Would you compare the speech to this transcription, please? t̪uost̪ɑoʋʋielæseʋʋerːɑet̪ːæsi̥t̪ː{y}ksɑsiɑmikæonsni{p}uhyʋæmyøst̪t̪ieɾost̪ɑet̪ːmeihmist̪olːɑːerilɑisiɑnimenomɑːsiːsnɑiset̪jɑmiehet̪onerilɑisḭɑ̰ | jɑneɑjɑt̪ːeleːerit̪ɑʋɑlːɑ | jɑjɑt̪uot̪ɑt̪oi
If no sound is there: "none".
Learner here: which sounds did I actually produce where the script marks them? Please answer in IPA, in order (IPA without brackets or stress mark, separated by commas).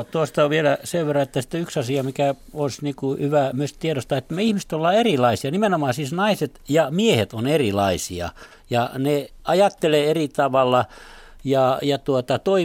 y, k